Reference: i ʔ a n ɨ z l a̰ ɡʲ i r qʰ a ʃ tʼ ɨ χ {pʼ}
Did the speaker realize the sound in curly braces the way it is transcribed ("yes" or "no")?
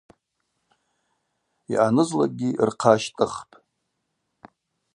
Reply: yes